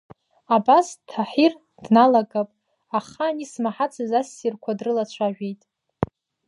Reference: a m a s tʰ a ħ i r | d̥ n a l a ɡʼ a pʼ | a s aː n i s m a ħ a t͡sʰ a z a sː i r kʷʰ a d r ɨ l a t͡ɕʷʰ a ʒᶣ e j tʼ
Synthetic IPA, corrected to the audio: a b a s tʰ a ħ i r | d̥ n a l a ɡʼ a pʼ | a χ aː n i s m a ħ a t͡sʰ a z a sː i r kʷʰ a d r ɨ l a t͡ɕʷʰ a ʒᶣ e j tʼ